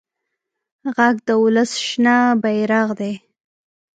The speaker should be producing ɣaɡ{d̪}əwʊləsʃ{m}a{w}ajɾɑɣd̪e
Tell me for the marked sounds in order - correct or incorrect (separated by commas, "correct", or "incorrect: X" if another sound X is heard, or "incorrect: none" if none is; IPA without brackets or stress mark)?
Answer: correct, incorrect: n, incorrect: b